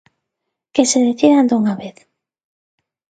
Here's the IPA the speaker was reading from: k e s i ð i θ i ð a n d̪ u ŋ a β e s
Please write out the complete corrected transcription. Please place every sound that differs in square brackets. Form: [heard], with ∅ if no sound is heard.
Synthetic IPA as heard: k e s [e] ð [e] θ i ð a n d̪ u ŋ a β e [θ]